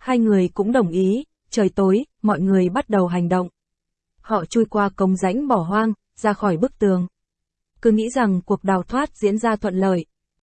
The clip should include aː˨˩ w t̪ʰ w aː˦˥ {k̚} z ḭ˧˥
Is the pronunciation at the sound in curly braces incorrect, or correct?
incorrect